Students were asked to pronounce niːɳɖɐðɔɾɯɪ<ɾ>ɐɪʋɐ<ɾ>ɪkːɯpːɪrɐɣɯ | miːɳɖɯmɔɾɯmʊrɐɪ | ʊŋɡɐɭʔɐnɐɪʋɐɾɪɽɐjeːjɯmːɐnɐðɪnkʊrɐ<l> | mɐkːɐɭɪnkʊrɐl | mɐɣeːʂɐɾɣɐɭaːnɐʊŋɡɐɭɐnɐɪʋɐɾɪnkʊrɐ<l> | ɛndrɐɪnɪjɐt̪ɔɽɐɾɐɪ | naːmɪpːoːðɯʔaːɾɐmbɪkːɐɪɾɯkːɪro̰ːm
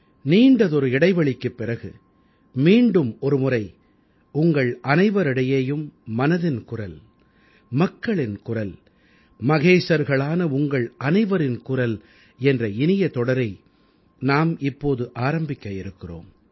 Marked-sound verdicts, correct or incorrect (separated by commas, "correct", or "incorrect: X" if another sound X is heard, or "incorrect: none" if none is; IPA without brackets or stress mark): incorrect: ɽ, incorrect: ɭ, correct, correct